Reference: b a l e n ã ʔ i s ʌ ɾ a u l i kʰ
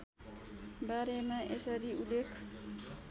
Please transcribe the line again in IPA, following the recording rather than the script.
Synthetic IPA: b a ɾ e m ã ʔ e s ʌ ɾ i u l e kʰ